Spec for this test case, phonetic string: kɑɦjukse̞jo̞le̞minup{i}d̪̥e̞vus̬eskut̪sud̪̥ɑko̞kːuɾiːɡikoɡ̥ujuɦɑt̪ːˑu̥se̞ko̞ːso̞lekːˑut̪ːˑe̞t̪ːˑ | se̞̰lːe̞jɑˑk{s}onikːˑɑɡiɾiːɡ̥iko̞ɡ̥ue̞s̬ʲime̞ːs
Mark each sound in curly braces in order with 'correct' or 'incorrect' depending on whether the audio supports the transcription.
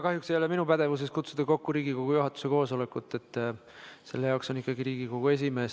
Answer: incorrect: æ, correct

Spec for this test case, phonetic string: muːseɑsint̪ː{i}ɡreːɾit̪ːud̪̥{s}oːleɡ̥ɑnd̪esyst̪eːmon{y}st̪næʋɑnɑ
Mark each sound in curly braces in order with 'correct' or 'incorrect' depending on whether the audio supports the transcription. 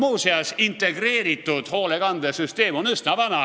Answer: incorrect: e, incorrect: h, correct

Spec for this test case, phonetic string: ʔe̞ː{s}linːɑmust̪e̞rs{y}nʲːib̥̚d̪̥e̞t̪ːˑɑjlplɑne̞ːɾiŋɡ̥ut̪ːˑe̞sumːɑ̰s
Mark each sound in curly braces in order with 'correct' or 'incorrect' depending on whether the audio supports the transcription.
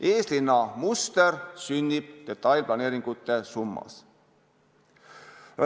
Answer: correct, correct

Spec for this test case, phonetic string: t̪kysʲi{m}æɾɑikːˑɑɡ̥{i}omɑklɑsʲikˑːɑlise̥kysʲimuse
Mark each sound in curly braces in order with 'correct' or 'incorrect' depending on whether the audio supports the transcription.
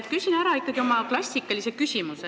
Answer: incorrect: n, correct

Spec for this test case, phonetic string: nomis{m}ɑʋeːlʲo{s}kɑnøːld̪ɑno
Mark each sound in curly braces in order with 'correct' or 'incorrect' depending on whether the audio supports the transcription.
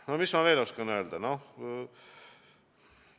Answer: correct, correct

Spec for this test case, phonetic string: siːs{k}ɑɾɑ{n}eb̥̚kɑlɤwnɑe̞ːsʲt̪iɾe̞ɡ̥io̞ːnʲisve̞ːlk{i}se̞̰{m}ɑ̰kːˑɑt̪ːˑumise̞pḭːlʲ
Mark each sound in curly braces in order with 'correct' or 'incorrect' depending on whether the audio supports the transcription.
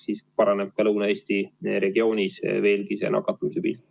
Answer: incorrect: p, correct, correct, incorrect: n

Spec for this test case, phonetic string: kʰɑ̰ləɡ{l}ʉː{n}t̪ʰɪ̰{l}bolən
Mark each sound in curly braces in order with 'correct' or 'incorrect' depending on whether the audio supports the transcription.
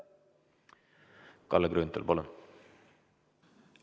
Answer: incorrect: ɾ, correct, correct

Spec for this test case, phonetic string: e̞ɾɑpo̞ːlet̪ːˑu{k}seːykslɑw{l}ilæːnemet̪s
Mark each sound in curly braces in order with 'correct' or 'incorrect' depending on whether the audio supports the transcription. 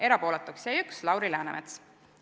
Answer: correct, incorrect: ɾ

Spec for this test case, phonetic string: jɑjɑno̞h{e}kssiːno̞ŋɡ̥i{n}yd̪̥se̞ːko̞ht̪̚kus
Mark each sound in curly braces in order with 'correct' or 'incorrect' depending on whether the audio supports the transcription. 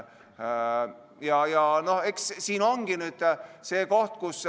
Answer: correct, correct

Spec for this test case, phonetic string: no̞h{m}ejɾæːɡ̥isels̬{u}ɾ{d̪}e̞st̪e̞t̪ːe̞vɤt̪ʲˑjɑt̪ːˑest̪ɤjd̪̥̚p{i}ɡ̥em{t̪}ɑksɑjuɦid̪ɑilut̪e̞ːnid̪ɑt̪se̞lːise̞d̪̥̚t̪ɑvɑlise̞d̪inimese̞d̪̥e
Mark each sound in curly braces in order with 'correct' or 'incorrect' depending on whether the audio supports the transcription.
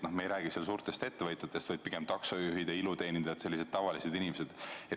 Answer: correct, incorrect: uː, incorrect: t̪, correct, correct

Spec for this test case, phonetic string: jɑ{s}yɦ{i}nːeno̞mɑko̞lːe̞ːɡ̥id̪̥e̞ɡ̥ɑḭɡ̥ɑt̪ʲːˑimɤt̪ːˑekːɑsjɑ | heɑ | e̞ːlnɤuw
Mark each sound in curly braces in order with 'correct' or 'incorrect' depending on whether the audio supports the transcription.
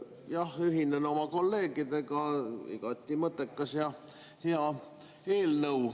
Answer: incorrect: h, correct

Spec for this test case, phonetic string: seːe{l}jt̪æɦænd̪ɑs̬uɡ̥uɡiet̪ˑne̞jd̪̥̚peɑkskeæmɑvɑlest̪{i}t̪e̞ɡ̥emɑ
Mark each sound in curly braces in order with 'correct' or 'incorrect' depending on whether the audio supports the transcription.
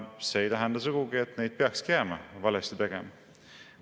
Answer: incorrect: none, correct

